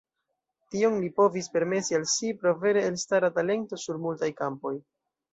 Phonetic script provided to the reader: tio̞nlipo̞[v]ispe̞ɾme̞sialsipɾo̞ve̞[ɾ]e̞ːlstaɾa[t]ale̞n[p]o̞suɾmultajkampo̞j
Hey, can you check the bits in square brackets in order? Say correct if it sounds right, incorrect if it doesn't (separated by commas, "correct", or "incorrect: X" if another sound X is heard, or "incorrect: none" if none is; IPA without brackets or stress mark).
correct, correct, correct, incorrect: t